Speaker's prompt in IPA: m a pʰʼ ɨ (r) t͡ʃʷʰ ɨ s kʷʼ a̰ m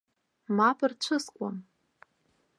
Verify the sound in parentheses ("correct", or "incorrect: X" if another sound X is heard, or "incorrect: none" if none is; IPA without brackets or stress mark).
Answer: correct